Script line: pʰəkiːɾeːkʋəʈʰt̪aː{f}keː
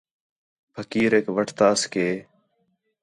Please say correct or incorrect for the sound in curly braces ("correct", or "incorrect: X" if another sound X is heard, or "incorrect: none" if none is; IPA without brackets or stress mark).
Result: incorrect: s